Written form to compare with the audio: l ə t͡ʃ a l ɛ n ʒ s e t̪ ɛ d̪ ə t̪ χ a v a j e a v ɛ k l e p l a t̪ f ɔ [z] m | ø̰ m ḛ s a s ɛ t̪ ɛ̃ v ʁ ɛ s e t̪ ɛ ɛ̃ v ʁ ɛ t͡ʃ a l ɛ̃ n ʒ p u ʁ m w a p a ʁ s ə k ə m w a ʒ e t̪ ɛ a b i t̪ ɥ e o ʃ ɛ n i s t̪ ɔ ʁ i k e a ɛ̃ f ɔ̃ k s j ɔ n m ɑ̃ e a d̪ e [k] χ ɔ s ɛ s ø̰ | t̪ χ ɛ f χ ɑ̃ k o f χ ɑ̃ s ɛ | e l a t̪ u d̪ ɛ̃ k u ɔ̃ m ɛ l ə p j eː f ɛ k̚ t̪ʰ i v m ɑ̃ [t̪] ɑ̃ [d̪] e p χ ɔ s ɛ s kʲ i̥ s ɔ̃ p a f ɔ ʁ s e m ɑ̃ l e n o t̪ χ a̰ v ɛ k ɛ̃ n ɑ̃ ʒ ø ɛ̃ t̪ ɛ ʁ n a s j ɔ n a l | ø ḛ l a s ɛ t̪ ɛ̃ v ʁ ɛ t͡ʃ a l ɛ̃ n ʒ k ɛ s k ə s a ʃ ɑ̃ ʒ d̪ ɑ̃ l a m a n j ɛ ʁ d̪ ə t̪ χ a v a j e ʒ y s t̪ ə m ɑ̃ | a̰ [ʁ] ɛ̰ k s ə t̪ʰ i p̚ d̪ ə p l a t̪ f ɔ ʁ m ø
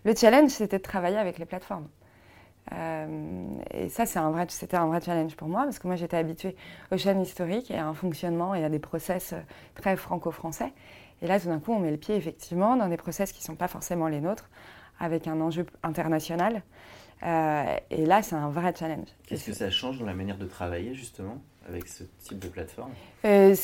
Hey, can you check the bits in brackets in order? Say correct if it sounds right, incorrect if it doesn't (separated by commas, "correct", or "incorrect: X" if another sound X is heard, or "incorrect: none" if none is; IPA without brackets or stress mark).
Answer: incorrect: ʁ, incorrect: p, incorrect: d̪, correct, incorrect: v